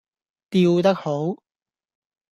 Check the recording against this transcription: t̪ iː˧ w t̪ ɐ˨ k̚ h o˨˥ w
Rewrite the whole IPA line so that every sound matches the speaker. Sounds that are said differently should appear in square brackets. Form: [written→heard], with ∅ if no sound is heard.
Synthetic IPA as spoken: t̪ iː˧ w t̪ [ɐ˨→ɐ˥] k̚ h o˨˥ w